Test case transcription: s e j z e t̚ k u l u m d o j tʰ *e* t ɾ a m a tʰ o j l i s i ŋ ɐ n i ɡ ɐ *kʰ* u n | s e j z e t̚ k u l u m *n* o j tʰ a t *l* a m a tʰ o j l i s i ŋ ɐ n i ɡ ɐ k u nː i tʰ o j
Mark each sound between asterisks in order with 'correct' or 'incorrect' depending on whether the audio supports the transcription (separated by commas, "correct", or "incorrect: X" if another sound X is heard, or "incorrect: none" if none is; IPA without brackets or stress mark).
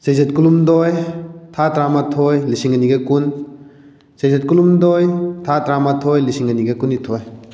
incorrect: a, incorrect: k, incorrect: d, incorrect: ɾ